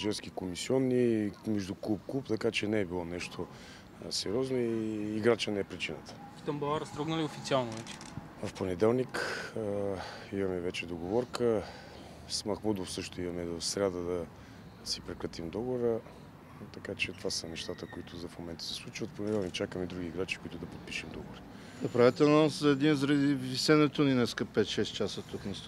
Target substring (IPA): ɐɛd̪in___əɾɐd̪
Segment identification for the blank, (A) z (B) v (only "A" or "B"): A